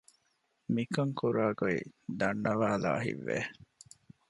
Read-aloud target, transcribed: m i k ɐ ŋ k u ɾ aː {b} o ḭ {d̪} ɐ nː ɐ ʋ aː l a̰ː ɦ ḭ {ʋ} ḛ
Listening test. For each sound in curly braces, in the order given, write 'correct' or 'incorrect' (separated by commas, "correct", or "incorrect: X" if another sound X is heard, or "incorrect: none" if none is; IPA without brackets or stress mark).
incorrect: ɡ, correct, incorrect: ʋː